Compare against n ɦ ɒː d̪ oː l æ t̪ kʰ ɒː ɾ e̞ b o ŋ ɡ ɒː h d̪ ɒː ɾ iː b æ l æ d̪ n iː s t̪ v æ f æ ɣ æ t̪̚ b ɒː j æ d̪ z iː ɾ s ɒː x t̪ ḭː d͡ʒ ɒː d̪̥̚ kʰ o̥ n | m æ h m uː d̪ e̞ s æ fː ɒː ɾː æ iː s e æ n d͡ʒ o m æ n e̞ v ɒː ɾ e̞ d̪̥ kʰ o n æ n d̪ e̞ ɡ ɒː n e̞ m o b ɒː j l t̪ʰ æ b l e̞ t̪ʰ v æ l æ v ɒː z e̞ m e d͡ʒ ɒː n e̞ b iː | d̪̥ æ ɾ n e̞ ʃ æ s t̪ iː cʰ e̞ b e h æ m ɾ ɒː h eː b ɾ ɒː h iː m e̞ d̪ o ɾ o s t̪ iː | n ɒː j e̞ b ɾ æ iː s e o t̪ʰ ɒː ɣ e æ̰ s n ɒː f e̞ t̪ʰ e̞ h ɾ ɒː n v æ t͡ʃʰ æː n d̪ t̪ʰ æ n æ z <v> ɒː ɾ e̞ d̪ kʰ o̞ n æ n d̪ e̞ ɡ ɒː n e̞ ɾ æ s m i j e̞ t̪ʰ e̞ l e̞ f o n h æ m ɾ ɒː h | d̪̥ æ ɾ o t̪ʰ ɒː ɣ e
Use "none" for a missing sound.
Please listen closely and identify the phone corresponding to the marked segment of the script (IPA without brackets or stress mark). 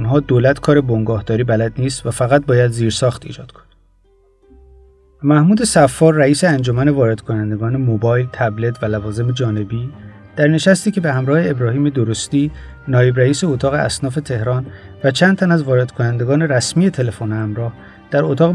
v